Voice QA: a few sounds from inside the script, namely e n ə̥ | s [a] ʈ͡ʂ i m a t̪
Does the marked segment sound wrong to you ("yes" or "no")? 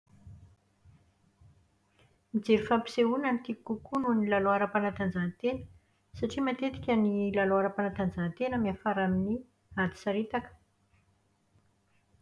no